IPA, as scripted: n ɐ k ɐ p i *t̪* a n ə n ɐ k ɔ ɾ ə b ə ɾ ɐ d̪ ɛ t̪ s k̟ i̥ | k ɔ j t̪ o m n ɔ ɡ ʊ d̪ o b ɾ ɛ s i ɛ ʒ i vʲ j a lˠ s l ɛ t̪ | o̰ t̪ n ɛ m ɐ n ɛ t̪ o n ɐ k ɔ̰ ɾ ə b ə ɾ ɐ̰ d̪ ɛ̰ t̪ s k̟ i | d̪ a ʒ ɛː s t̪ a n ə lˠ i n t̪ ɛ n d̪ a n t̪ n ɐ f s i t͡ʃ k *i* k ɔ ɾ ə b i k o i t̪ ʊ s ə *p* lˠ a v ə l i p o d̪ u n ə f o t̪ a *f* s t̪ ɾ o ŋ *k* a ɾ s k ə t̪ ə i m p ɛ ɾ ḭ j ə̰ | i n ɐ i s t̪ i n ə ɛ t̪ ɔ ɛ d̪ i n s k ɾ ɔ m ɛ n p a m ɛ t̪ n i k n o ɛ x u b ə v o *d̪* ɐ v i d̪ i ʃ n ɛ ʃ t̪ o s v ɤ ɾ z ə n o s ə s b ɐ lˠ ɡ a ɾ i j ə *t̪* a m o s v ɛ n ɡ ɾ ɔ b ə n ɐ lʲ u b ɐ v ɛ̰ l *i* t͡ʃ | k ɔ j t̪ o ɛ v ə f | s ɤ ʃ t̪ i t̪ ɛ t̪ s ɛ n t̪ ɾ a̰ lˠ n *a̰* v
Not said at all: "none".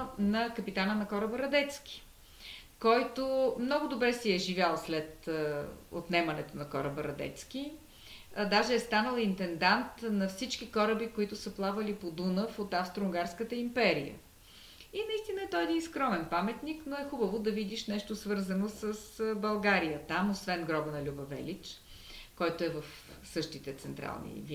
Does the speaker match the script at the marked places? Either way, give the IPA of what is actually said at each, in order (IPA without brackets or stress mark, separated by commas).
t̪, i, p, f, ɡ, d̪, t̪, i, ḭ